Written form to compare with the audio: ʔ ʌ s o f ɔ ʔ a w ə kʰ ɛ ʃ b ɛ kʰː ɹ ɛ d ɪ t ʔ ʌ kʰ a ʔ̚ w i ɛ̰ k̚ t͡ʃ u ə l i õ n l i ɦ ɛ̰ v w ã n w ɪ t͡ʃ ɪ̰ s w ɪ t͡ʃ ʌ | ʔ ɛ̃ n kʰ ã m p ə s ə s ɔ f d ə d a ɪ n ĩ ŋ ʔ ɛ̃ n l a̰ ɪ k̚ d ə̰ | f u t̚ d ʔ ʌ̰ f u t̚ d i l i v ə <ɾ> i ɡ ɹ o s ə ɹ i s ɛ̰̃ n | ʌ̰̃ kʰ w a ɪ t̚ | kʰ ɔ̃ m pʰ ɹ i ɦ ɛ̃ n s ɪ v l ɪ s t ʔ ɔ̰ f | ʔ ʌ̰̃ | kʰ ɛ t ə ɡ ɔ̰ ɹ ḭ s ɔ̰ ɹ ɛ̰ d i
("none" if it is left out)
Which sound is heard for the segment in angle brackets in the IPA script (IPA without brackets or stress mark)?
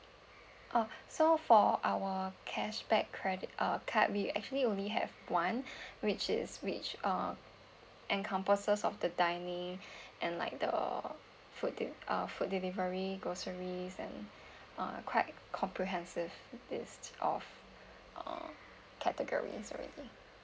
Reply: ɹ